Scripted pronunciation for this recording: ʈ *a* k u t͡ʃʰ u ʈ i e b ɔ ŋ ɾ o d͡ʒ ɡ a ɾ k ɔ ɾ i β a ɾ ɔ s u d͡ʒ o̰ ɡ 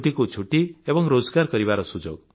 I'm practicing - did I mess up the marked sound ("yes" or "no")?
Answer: yes